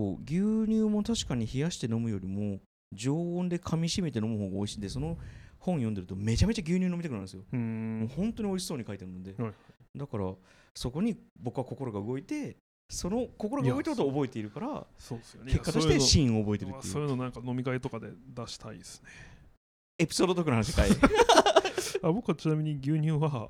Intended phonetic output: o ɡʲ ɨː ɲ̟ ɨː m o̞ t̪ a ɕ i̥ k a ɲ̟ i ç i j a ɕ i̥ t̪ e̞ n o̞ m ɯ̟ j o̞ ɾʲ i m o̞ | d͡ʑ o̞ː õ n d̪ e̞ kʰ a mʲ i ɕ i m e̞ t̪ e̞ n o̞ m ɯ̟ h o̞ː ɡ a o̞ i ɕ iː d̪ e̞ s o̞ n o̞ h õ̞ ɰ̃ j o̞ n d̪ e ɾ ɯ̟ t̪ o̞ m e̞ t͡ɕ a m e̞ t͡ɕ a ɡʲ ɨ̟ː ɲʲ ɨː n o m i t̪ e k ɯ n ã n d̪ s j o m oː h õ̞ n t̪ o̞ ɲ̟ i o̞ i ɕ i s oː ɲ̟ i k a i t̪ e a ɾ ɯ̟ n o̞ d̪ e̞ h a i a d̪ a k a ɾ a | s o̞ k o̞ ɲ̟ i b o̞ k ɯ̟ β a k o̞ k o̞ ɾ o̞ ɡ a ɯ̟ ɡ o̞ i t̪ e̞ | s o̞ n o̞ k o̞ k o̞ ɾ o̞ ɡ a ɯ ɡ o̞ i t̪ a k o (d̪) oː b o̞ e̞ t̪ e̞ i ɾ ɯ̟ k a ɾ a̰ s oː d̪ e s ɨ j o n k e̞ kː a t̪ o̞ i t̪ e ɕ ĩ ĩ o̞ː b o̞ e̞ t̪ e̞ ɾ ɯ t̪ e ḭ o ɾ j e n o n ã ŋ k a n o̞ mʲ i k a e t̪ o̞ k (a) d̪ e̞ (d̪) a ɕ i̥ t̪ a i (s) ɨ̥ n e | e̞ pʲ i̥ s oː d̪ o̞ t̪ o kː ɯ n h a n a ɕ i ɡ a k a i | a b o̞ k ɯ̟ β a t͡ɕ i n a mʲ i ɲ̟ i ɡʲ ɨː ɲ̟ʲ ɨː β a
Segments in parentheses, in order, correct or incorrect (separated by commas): incorrect, correct, correct, correct